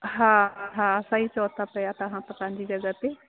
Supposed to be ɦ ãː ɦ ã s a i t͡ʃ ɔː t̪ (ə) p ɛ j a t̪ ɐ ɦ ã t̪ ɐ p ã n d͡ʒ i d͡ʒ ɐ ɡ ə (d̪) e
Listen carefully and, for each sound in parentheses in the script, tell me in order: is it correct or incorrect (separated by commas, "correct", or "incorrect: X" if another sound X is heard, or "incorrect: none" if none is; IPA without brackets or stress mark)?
incorrect: a, incorrect: t̪